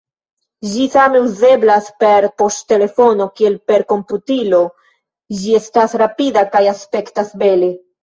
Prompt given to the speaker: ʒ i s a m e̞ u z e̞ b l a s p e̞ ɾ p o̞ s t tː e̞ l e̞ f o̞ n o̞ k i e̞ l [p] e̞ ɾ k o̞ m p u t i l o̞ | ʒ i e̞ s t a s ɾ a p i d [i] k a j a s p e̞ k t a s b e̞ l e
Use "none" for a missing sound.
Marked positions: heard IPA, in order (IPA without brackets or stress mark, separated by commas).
p, a